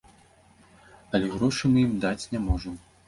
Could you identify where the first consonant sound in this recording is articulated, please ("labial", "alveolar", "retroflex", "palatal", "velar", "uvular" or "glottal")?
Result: alveolar